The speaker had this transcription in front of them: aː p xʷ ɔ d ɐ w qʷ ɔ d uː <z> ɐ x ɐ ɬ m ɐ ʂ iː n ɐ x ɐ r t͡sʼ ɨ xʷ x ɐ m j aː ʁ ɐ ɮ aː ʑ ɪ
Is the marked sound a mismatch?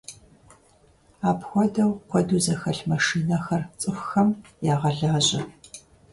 no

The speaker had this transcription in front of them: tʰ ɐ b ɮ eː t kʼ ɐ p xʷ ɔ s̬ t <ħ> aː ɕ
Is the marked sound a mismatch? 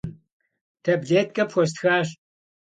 yes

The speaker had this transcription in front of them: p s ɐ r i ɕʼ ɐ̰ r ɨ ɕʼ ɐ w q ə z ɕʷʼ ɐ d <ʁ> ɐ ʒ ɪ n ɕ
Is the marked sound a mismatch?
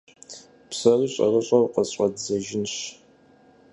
yes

